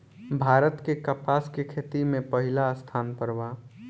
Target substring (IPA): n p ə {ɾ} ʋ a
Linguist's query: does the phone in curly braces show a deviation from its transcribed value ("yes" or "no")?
no